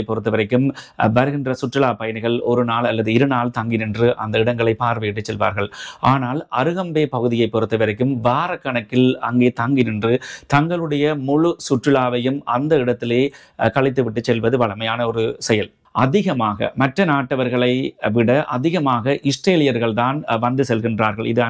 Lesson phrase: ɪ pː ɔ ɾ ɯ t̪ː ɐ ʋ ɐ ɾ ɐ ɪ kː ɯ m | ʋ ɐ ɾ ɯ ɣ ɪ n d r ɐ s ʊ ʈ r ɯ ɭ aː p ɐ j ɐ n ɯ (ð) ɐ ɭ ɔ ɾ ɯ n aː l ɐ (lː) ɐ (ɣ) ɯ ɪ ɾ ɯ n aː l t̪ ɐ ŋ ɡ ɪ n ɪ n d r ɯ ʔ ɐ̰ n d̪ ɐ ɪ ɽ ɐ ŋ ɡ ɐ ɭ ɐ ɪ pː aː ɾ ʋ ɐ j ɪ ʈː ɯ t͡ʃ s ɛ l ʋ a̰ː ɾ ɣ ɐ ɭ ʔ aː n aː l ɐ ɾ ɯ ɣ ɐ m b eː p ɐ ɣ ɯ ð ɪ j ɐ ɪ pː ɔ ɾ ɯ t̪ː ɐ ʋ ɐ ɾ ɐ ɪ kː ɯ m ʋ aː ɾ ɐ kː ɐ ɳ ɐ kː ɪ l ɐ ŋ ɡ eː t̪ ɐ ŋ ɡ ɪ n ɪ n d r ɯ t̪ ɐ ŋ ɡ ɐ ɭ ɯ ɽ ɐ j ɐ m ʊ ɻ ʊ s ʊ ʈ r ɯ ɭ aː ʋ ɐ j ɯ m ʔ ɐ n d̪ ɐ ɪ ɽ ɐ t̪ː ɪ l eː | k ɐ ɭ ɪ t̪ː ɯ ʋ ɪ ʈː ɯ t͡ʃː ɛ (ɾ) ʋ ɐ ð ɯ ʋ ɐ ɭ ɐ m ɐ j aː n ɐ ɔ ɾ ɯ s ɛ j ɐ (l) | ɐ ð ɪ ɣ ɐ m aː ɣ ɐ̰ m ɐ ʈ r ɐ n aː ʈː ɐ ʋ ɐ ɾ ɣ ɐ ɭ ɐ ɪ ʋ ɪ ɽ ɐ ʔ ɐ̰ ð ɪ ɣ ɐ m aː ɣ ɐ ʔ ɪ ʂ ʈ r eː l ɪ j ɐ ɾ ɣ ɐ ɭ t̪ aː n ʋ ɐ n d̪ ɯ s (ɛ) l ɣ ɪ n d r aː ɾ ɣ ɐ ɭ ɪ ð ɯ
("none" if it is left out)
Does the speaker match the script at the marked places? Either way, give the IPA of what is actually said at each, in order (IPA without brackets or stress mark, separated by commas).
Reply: ɣ, lː, ð, l, l, ɛ